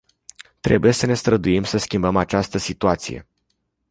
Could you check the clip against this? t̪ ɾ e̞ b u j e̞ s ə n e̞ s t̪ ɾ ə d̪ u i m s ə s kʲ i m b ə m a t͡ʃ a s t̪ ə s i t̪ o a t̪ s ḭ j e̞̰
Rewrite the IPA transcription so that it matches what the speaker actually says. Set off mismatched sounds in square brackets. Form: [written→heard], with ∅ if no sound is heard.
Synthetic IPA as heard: t̪ ɾ e̞ b u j e̞ s ə n e̞ s t̪ ɾ ə d̪ u i m s ə s kʲ i m b ə m a t͡ʃ a s t̪ ə s i t̪ [o→u] a t̪ s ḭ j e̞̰